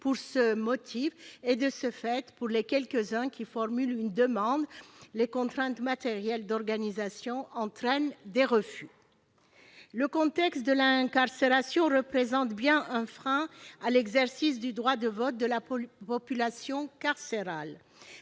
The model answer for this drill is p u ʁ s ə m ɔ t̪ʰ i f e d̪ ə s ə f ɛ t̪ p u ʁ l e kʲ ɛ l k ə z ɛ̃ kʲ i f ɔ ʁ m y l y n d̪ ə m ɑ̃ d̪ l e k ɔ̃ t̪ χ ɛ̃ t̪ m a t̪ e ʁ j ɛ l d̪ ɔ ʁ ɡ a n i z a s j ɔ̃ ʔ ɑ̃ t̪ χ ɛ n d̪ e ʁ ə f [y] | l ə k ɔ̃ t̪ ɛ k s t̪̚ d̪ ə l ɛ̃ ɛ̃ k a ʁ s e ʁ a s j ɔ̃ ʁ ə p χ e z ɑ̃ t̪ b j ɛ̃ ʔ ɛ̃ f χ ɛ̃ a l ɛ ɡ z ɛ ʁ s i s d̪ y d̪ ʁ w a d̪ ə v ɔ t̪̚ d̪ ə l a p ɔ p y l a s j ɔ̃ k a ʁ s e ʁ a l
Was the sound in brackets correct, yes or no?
yes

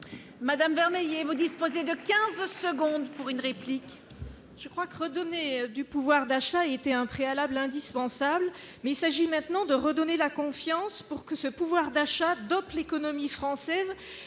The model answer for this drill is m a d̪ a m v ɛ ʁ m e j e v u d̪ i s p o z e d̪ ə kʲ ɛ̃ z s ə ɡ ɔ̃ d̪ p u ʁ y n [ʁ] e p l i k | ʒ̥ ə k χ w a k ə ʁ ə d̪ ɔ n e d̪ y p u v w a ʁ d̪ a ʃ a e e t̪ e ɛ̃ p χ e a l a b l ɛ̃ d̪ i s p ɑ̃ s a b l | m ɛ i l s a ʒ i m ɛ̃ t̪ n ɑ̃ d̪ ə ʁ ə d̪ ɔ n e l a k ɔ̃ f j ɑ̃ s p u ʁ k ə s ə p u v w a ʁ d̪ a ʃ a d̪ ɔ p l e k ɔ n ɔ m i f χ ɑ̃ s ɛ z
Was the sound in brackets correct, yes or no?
yes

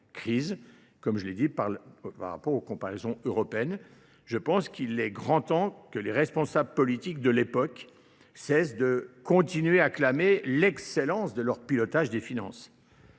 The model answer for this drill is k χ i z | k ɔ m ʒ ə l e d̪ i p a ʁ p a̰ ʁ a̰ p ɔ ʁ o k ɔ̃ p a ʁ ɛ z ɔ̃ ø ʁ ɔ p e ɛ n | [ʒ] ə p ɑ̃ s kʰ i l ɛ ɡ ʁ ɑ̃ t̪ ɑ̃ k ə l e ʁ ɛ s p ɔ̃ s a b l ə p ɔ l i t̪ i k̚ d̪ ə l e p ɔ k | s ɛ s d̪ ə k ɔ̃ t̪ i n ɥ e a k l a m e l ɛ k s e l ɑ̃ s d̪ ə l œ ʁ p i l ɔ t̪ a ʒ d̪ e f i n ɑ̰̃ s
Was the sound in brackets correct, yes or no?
yes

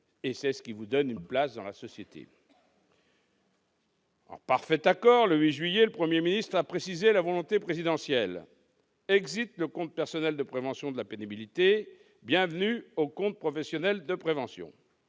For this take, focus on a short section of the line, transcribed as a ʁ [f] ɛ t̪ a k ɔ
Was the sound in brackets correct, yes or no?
yes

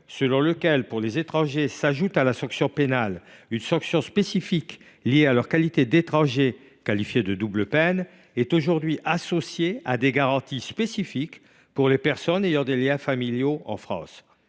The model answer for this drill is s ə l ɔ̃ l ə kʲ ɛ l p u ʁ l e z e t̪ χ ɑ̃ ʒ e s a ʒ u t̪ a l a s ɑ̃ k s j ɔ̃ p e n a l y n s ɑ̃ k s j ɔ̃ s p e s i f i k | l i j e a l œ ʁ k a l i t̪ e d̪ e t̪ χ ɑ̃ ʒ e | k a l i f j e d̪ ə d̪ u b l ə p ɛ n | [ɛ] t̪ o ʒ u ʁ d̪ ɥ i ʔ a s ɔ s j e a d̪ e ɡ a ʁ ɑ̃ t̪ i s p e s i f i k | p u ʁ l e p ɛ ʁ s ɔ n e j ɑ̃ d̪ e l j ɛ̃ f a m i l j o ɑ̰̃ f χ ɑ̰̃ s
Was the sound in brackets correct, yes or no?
yes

